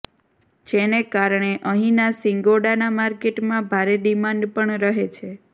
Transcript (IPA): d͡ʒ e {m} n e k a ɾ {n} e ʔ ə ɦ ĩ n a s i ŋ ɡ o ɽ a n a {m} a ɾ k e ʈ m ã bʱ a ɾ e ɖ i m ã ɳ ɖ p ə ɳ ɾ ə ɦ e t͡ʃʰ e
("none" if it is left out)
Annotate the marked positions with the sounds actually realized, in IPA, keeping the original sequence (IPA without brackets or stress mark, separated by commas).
none, ɳ, m